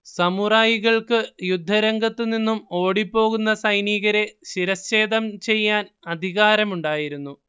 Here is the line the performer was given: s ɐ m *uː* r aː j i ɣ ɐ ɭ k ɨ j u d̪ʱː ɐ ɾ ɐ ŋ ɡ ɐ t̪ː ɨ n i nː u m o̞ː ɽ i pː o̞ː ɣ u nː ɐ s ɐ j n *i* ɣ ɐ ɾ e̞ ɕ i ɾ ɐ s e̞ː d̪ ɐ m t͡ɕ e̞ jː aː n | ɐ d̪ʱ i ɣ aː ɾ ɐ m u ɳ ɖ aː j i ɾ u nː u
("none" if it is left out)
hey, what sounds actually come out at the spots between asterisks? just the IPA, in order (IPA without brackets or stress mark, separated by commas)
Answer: u, iː